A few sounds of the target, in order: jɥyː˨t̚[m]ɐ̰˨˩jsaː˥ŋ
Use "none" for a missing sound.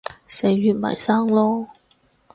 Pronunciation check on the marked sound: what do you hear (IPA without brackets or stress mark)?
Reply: m